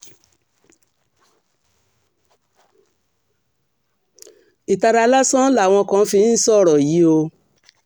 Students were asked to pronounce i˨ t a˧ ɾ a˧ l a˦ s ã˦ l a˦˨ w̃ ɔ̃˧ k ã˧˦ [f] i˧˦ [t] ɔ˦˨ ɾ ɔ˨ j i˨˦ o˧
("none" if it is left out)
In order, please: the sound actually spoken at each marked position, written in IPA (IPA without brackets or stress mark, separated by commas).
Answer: f, s